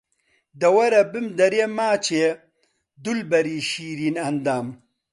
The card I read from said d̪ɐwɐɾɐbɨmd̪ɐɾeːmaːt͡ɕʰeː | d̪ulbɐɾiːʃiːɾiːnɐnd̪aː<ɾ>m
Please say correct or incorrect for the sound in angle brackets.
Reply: incorrect